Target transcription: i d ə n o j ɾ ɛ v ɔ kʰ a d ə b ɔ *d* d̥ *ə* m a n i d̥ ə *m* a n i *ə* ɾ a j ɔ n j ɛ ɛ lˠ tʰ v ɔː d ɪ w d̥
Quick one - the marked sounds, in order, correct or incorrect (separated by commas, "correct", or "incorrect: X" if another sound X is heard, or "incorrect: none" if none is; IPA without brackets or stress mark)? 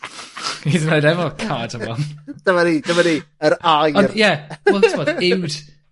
incorrect: n, correct, correct, correct